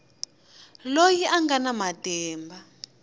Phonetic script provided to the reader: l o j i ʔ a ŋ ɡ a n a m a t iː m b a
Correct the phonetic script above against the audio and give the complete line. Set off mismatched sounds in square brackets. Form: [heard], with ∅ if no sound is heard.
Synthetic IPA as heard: l o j i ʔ a ŋ ɡ a n a m a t [ɛː] m b a